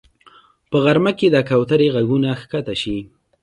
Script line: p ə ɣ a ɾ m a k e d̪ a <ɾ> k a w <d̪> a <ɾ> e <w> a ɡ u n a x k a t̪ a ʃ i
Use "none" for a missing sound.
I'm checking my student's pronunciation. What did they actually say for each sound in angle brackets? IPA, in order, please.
none, t̪, ɾ, ɣ

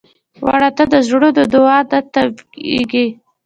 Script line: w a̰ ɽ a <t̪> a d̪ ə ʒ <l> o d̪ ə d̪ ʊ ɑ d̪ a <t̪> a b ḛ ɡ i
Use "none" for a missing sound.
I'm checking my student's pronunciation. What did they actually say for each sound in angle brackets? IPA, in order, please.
t̪, ɽ, t̪

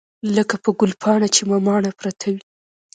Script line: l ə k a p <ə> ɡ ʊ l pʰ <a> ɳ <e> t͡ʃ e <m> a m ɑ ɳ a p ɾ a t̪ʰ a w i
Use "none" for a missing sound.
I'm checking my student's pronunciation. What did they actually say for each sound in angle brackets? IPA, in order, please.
ə, ɑ, a, m

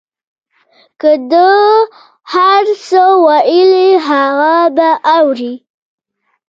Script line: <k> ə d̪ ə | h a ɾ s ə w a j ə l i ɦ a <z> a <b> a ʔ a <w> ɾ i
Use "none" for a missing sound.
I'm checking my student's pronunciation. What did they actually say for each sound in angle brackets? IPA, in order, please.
k, ɣ, b, w

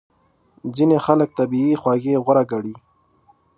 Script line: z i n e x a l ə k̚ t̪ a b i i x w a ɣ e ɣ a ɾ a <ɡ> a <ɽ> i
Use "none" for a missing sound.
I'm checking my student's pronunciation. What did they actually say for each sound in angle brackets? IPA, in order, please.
ɡ, ɽ

